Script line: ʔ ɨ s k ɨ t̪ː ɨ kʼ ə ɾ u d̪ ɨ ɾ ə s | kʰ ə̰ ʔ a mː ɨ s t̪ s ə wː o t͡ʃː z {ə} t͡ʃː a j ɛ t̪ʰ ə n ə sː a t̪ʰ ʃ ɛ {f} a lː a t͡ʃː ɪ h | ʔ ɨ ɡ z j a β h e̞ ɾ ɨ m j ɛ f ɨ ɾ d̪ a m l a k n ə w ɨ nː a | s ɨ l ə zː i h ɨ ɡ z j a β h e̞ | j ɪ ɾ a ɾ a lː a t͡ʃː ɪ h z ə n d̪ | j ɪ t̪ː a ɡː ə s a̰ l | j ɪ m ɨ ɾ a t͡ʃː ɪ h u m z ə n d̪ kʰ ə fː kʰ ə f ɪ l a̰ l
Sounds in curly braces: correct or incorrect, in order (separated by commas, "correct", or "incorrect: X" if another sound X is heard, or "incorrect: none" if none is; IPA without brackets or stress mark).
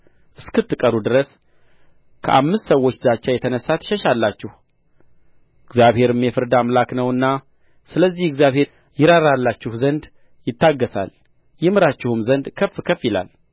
incorrect: a, incorrect: ʃ